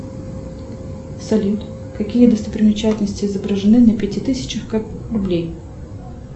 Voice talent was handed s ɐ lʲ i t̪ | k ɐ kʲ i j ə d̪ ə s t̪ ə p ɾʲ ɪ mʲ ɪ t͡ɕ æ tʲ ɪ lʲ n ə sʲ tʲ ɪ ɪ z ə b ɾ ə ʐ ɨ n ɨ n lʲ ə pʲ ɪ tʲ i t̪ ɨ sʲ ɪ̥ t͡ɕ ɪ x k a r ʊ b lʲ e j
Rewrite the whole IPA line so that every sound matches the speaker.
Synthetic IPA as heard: s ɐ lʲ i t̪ | k ɐ kʲ i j ə d̪ ə s t̪ ə p ɾʲ ɪ mʲ ɪ t͡ɕ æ tʲ ɪ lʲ n ə sʲ tʲ ɪ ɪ z ə b ɾ ə ʐ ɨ n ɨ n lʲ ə pʲ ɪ tʲ i t̪ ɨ sʲ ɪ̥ t͡ɕ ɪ x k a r ʊ b lʲ e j